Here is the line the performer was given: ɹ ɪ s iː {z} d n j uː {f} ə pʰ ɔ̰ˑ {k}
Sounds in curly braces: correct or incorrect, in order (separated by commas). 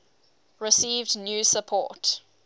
incorrect, incorrect, incorrect